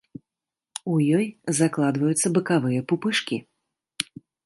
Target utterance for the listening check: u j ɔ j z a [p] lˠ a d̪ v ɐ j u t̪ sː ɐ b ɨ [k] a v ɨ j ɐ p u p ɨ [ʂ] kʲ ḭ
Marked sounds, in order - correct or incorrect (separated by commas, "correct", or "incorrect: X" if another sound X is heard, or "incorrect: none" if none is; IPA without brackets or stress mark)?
incorrect: k, correct, correct